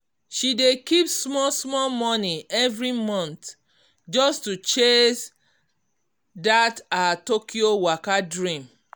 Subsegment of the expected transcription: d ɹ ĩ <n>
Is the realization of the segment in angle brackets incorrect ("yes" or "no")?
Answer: yes